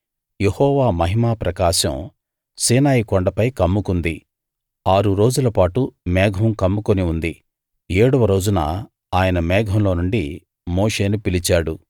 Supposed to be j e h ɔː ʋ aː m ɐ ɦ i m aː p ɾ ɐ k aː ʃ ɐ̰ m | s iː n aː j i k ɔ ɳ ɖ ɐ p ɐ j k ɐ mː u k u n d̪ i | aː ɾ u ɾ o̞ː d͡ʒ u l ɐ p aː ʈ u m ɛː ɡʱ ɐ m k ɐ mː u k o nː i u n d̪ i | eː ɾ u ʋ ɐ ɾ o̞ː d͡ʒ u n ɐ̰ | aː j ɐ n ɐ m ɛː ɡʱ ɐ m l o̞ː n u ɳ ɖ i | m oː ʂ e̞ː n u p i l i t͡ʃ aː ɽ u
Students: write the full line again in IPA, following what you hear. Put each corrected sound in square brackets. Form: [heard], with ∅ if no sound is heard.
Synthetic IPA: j e h ɔː ʋ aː m ɐ ɦ i m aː p ɾ ɐ k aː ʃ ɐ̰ m | s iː n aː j i k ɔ ɳ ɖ ɐ p ɐ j k ɐ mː u k u n d̪ i | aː ɾ u ɾ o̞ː d͡ʒ u l ɐ p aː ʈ u m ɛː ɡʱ ɐ m k ɐ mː u k o [n] i u n d̪ i | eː [ɽ] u ʋ ɐ ɾ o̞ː d͡ʒ u n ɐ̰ | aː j ɐ n ɐ m ɛː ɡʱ ɐ m l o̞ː n u ɳ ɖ i | m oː ʂ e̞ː n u p i l i t͡ʃ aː ɽ u